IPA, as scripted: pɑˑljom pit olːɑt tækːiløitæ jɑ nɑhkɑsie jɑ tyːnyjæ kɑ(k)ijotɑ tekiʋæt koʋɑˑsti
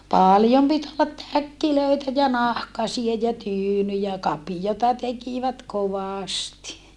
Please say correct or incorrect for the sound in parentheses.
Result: incorrect